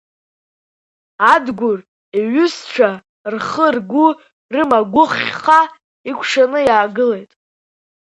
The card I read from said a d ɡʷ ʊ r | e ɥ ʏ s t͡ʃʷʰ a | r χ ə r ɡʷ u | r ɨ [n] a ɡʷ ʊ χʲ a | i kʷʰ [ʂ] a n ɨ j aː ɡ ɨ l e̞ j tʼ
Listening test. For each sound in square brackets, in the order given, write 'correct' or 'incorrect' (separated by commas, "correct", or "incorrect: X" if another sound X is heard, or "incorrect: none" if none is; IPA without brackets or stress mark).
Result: incorrect: m, correct